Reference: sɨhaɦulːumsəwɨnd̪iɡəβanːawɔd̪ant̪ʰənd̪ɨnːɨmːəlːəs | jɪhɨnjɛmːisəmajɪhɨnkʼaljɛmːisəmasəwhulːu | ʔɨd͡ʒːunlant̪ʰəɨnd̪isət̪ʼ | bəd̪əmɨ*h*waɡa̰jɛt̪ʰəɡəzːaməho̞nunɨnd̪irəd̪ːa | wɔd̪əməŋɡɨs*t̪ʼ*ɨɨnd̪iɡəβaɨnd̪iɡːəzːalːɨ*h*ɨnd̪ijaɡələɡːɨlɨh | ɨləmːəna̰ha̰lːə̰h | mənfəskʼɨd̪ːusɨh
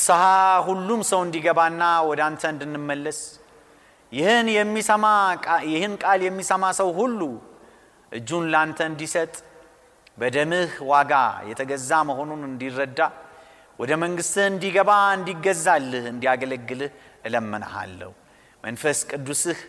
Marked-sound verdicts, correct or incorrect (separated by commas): correct, incorrect, correct